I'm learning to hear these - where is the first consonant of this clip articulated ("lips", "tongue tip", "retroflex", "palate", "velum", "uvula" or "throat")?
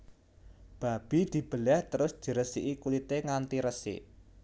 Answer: lips